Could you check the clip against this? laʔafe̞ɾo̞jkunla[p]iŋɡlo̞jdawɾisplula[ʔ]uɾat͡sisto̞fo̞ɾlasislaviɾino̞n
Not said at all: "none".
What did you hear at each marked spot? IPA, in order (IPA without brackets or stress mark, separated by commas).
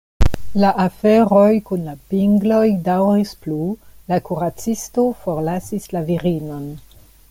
p, k